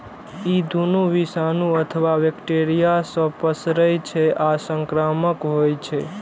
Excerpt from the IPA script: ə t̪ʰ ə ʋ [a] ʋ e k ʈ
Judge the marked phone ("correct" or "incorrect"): correct